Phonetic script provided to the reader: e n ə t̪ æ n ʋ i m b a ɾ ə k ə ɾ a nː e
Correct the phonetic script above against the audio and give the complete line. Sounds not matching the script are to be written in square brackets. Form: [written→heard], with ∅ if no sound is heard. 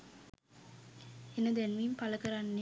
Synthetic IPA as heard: e n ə [t̪→d̪] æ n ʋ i m [b→p] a [ɾ→l] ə k ə ɾ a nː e